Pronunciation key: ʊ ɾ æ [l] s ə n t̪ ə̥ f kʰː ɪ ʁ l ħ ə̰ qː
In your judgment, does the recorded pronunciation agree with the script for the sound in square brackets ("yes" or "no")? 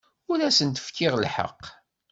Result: no